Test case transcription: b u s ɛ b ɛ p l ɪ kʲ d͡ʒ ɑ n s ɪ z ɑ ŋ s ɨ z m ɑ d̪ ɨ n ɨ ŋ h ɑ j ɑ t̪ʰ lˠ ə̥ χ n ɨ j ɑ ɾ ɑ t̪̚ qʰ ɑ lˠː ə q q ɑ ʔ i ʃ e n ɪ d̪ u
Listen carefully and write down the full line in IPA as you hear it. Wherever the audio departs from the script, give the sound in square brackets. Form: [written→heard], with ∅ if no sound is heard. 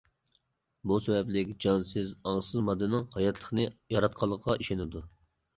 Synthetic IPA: b u s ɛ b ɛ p l ɪ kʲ d͡ʒ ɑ n s ɪ z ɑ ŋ s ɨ z m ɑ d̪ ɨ n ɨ ŋ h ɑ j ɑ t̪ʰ lˠ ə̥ χ n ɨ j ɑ ɾ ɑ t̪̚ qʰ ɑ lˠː ə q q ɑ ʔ i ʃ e n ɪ d̪ u